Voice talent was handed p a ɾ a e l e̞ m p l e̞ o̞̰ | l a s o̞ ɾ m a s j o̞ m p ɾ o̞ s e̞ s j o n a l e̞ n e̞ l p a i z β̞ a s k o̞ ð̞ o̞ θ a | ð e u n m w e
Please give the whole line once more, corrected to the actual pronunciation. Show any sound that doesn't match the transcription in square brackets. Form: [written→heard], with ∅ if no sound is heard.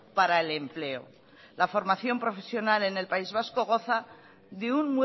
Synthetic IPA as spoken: p a ɾ a e l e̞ m p l e̞ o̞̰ | l a [s→f] o̞ ɾ m a [s→θ] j o̞ m p ɾ o̞ [s→f] e̞ s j o n a l e̞ n e̞ l p a i z β̞ a s k o̞ [ð̞→ɣ̞] o̞ θ a | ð e u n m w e